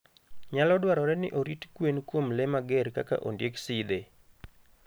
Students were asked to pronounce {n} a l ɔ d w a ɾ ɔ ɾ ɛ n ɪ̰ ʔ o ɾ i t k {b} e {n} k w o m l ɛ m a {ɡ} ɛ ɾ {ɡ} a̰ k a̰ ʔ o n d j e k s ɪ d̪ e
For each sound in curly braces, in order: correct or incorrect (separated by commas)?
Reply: incorrect, incorrect, correct, correct, incorrect